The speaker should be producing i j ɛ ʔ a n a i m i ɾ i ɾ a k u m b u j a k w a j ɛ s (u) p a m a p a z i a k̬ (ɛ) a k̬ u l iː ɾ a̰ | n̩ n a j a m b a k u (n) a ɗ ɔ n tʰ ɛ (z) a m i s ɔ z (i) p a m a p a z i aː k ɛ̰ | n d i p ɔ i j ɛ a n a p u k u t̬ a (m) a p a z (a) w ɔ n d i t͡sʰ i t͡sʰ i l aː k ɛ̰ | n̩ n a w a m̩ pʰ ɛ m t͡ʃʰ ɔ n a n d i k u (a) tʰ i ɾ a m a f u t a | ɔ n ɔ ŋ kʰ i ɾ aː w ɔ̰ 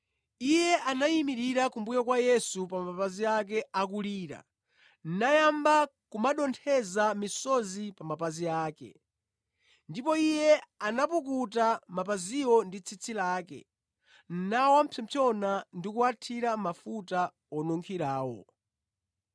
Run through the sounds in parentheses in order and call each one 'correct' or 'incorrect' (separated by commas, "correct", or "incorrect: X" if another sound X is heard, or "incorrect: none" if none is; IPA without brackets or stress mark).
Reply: correct, correct, incorrect: m, correct, correct, correct, incorrect: i, correct